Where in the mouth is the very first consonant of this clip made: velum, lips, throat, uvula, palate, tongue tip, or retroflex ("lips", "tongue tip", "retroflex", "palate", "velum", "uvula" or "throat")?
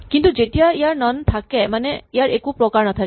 velum